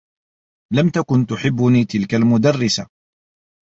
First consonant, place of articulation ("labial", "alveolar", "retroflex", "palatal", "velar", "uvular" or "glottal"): alveolar